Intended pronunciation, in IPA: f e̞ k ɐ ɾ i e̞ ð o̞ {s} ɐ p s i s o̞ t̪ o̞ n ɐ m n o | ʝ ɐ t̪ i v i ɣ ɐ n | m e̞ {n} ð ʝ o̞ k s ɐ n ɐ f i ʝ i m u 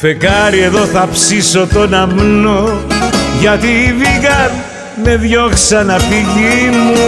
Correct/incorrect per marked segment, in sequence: incorrect: θ, incorrect: none

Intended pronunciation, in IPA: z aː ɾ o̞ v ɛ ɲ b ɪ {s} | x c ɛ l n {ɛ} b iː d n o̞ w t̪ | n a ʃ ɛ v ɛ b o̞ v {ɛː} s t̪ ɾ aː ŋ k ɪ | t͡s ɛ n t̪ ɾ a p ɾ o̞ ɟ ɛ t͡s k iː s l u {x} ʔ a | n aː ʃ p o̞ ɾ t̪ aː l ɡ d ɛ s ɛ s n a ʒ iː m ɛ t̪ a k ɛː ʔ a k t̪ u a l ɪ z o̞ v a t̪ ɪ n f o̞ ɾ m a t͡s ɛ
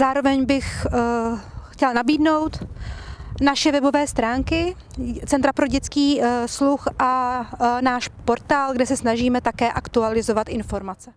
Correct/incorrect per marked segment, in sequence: incorrect: x, incorrect: a, correct, correct

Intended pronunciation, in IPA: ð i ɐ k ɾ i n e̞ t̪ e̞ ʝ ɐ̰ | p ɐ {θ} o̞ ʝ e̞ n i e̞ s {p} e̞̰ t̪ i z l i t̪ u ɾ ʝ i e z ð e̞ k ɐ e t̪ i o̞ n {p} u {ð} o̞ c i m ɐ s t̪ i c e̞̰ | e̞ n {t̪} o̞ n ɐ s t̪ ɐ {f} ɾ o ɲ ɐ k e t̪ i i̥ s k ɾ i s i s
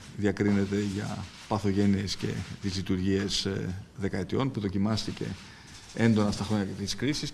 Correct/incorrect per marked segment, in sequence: correct, incorrect: c, correct, correct, incorrect: d̪, incorrect: x

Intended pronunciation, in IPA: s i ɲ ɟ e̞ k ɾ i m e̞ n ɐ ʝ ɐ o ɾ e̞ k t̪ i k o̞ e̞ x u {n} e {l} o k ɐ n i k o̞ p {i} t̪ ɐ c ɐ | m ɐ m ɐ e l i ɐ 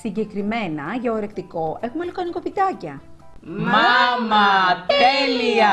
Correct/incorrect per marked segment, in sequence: incorrect: m, correct, correct

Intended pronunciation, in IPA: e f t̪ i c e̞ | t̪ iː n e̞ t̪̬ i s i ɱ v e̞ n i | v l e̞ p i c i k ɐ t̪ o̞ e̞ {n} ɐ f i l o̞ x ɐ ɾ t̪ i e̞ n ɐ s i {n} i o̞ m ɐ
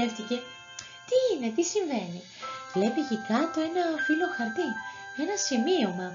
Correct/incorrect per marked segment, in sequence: correct, incorrect: m

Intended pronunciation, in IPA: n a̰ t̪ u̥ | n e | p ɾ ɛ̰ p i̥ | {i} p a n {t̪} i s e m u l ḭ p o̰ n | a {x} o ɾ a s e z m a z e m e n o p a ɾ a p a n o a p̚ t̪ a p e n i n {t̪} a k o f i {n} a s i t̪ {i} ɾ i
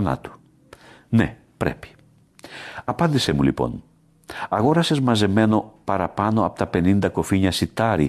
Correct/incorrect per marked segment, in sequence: incorrect: a, incorrect: d̪, incorrect: ɣ, incorrect: d̪, incorrect: ɲ, incorrect: a

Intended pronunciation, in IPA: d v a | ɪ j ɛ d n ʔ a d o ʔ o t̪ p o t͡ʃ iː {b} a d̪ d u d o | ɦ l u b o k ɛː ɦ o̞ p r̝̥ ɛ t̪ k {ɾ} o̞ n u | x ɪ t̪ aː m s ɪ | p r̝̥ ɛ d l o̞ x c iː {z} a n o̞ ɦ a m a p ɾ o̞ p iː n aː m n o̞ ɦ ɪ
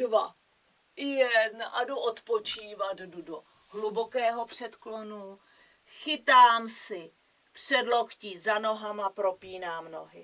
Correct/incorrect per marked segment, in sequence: incorrect: v, incorrect: l, correct

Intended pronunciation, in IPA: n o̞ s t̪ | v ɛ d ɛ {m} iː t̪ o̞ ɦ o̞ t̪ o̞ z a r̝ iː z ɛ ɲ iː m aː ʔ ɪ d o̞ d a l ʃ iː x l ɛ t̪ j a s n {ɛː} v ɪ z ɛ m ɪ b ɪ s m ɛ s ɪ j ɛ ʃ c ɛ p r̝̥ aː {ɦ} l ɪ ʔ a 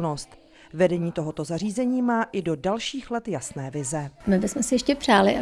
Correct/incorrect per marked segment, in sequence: incorrect: ɲ, correct, incorrect: none

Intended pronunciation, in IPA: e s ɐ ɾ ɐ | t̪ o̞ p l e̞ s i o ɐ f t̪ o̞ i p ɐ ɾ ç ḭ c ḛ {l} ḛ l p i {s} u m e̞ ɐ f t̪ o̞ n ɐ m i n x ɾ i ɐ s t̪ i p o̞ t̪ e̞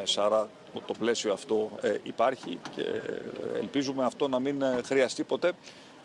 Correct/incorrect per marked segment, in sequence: incorrect: none, incorrect: z

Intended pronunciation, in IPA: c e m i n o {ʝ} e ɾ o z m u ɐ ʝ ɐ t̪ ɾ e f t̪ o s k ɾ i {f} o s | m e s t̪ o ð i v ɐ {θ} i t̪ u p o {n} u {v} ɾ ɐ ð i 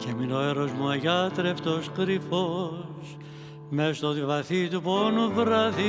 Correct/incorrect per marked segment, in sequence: incorrect: none, correct, correct, correct, correct

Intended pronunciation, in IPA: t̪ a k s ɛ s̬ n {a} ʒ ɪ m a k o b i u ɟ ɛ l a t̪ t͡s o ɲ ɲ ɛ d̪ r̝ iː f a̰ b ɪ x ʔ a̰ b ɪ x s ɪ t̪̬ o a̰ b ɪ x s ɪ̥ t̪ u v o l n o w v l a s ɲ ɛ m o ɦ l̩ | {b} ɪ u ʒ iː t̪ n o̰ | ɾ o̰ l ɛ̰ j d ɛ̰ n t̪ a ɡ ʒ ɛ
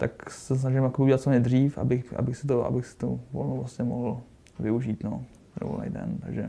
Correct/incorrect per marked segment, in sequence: correct, incorrect: v

